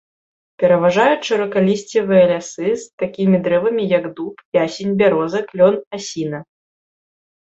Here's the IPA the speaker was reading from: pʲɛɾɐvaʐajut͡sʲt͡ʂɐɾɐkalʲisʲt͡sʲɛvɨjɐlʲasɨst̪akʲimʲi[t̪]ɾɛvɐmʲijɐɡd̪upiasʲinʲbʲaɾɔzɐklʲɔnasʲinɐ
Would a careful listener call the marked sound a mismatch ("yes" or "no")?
yes